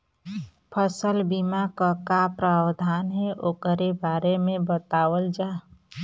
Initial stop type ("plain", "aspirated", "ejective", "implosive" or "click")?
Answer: aspirated